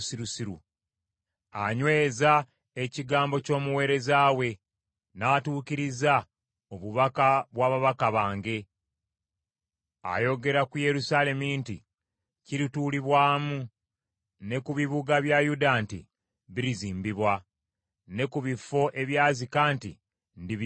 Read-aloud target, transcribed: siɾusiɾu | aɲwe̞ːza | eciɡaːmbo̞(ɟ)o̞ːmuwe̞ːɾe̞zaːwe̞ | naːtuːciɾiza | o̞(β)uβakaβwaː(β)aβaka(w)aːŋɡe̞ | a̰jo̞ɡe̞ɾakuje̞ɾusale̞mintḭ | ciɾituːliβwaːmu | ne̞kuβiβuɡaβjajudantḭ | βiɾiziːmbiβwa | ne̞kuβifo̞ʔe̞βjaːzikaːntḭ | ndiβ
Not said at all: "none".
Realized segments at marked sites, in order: c, β, β, β

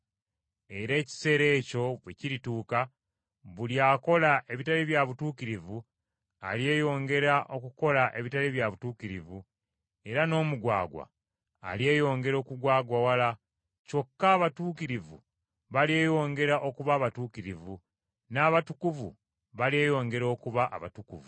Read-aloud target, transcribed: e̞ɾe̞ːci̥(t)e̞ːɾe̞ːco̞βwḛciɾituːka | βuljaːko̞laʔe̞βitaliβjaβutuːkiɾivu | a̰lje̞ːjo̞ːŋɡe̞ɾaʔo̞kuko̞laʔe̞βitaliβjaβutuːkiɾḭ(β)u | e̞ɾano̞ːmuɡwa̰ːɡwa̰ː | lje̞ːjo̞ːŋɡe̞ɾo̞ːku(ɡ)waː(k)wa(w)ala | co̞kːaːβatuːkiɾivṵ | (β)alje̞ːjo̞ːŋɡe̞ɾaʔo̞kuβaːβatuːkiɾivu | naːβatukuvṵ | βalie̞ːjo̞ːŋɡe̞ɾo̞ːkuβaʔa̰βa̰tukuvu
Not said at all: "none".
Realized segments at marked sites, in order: s, v, ɡ, ɡ, w, β

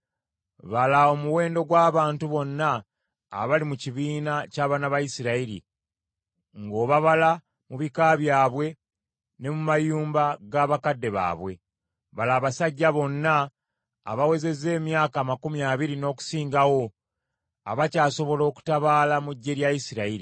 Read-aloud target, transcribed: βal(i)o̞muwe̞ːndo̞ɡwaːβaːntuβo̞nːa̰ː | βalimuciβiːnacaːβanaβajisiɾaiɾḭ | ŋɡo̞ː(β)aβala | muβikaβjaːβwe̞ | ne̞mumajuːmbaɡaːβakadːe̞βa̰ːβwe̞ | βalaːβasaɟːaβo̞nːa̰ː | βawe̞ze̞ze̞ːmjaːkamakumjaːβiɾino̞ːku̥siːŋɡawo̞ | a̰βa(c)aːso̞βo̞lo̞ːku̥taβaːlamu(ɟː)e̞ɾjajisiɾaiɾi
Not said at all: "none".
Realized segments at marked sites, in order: a, β, c, ɟː

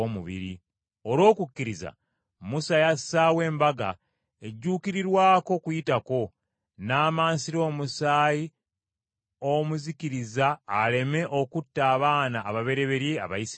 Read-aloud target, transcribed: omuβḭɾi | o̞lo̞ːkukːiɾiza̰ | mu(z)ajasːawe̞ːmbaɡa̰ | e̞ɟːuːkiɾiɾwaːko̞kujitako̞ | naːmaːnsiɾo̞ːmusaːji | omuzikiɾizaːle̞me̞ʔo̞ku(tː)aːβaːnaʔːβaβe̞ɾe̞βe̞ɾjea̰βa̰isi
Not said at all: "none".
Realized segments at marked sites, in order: s, tː

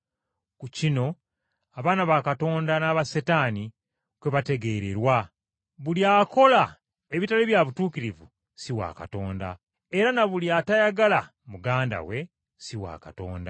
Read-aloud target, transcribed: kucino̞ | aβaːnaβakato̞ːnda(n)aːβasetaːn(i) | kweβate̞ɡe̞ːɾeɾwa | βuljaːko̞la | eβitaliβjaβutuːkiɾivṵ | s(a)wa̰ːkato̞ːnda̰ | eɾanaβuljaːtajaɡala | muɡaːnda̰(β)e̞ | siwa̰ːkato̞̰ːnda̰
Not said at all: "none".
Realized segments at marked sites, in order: n, i, i, w

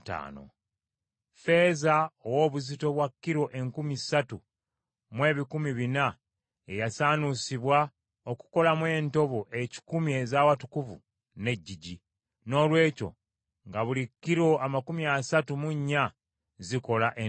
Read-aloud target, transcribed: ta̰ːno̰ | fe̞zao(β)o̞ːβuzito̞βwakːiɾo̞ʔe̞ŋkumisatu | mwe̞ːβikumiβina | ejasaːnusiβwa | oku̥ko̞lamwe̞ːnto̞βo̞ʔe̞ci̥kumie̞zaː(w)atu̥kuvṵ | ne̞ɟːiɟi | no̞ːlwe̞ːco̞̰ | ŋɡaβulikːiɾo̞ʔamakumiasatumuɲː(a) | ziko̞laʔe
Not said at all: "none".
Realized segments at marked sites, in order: w, w, a

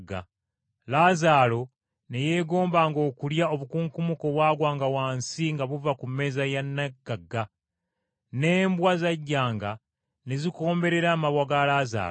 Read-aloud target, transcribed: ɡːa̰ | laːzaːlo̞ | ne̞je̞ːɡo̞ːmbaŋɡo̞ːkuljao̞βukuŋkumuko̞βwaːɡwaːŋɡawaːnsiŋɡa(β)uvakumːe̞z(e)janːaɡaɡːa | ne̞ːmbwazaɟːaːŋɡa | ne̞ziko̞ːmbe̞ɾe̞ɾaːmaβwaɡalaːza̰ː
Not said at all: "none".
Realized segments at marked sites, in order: β, a

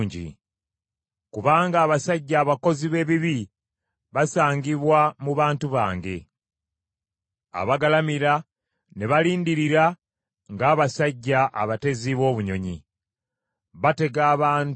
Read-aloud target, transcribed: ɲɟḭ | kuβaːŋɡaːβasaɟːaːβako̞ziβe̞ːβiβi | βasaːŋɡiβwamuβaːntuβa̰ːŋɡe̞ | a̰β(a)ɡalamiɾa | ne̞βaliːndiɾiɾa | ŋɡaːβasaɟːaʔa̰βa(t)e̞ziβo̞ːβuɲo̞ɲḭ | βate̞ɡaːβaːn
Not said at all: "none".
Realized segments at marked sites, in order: a, t

